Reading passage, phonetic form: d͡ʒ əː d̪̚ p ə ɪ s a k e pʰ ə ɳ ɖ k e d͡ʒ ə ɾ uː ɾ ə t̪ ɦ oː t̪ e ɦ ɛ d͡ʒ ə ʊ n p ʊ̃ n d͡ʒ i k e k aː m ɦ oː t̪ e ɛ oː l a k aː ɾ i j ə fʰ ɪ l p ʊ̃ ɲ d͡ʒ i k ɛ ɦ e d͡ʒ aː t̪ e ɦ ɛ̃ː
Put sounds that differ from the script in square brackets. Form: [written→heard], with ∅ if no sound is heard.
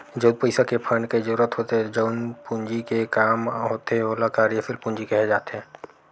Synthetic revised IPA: d͡ʒ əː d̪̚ p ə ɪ s a k e pʰ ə ɳ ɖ k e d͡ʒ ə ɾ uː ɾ ə t̪ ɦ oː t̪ e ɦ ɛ d͡ʒ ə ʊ n p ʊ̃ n d͡ʒ i k e k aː m ɦ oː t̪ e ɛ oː l a k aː ɾ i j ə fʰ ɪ l p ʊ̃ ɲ d͡ʒ i k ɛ ɦ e d͡ʒ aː t̪ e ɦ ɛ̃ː

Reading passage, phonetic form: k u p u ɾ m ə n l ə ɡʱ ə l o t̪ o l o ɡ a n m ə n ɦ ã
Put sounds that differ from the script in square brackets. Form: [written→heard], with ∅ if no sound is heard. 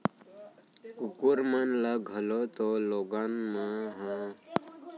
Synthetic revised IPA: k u [p→k] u ɾ m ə n l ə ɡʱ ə l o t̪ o l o ɡ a n m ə [n→∅] ɦ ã

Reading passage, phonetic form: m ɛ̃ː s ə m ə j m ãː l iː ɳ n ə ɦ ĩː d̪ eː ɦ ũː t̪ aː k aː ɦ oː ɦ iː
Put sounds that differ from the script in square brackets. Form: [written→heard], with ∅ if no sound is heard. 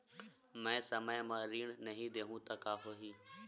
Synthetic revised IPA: m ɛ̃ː s ə m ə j m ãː [l→ɾ] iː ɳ n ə ɦ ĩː d̪ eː ɦ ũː t̪ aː k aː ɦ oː ɦ iː

